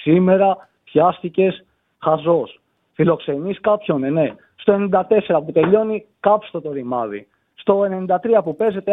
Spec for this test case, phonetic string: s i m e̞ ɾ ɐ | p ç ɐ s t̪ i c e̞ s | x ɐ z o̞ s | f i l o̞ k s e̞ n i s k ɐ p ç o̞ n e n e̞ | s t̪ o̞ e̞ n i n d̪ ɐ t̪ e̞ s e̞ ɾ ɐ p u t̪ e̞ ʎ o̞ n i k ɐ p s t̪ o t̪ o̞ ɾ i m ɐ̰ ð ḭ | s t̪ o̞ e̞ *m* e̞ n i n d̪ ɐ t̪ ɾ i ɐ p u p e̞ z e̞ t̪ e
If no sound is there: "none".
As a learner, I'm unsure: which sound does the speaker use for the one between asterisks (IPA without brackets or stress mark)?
n